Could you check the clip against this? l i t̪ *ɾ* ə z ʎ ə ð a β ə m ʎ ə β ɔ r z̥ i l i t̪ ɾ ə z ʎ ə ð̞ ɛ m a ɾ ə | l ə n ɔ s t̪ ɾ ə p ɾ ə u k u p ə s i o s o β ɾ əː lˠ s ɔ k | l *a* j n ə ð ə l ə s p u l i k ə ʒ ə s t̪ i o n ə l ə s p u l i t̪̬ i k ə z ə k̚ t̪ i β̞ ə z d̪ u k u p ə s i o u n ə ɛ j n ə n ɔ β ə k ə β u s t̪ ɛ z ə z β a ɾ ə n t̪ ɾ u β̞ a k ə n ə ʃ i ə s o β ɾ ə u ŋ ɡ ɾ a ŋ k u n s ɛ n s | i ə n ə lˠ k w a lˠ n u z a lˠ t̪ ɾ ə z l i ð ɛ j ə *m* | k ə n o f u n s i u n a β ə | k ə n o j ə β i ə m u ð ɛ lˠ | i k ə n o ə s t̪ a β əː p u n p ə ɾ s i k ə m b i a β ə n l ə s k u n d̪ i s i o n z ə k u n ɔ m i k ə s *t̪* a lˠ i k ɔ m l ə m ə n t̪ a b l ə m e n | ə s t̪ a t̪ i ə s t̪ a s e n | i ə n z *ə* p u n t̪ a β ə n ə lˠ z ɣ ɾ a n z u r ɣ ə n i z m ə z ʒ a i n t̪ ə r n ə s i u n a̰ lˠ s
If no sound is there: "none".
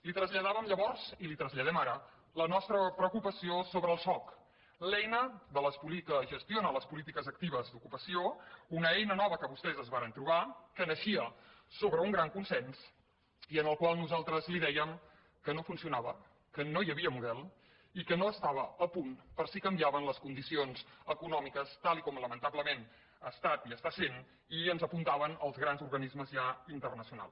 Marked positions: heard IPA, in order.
ɾ, ɛ, m, t̪, ə

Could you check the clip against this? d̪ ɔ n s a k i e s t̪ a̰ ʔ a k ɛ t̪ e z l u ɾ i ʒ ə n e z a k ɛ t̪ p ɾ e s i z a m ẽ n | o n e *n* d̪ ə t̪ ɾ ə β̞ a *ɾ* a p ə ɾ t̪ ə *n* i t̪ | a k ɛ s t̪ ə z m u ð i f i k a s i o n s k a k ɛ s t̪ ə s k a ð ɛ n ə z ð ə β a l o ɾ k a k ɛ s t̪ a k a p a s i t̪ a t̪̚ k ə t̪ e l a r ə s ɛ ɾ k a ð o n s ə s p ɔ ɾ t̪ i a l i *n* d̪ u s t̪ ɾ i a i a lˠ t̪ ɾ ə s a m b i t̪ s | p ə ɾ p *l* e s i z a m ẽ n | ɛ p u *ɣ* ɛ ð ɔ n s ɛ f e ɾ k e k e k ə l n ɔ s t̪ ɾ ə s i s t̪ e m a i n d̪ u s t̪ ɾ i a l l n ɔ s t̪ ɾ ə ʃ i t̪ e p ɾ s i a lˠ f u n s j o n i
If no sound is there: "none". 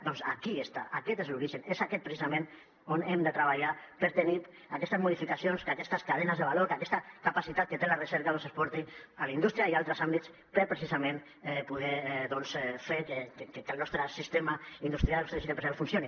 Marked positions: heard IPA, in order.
m, ʎ, n, n, ɾ, ð

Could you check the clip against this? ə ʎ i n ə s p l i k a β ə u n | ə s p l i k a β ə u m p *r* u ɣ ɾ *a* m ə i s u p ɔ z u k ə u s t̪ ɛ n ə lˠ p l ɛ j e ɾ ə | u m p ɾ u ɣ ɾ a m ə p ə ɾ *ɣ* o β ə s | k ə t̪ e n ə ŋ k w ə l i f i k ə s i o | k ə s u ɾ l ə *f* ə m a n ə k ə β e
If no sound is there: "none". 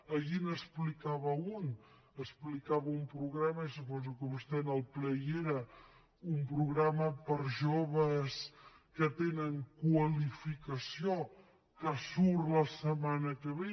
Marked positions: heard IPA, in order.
ɾ, a, ʒ, s

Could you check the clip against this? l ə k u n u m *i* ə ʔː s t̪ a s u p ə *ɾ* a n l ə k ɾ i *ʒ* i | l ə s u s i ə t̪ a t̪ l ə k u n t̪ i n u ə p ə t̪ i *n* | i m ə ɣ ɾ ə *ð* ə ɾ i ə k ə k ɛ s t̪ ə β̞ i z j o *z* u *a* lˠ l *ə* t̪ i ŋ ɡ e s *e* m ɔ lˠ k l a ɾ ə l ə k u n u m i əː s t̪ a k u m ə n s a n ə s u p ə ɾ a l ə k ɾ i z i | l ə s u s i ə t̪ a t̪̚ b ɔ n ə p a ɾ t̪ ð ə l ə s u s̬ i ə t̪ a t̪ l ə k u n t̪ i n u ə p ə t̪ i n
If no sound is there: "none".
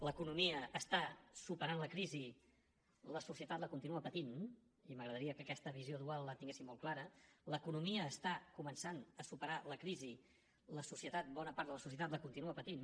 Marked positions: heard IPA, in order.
i, ɾ, z, n, ð, ð, a, ə, i

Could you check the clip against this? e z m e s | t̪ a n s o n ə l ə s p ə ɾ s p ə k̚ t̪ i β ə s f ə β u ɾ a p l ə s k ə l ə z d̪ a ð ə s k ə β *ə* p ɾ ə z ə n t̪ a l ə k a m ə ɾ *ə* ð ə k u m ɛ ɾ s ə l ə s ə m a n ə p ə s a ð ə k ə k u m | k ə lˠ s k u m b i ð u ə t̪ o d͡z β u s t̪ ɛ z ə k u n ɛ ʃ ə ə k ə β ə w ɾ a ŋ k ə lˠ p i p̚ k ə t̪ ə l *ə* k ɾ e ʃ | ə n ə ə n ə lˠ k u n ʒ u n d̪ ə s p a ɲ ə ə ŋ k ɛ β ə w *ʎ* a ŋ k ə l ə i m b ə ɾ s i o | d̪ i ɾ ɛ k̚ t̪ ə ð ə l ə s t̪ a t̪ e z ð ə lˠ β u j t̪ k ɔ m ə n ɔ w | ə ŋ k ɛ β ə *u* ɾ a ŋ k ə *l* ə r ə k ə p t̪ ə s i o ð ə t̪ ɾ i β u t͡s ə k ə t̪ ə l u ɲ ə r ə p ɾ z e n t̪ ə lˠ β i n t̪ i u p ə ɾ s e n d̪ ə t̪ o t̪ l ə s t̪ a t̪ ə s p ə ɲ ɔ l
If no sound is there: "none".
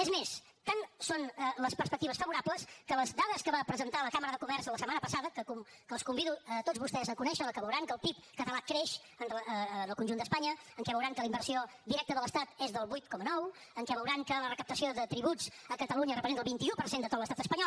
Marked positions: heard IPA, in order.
a, ə, a, ɾ, w, l

